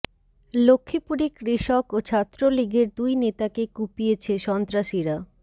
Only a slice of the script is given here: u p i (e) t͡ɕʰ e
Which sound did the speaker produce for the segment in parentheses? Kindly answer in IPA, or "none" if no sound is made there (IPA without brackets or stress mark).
e